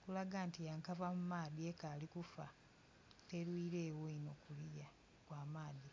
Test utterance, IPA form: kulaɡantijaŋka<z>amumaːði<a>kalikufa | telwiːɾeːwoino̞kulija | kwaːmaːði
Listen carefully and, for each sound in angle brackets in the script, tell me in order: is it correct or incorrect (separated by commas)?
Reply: incorrect, incorrect